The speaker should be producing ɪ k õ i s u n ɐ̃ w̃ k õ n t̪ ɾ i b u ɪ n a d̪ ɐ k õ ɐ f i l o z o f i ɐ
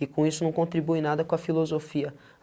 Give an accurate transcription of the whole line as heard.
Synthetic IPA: ɪ k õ i s ʊ n ɐ̃ w̃ k õ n t̪ ɾ i b u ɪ n a d̪ ɐ k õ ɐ f i l o z o f i ɐ